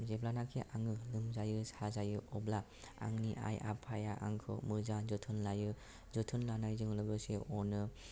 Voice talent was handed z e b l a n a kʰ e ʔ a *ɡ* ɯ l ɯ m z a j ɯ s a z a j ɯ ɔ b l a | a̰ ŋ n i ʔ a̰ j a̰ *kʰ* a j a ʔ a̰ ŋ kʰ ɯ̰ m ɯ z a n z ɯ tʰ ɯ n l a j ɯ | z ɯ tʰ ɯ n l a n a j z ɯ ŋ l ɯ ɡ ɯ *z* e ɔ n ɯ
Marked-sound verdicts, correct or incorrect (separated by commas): incorrect, incorrect, incorrect